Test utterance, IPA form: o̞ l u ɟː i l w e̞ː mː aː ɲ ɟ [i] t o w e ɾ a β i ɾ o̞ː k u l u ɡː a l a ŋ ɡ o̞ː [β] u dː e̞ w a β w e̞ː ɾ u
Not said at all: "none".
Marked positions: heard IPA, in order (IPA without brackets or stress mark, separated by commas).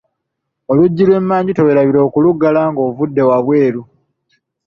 i, v